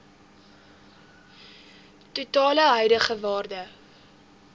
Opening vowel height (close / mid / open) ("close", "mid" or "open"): close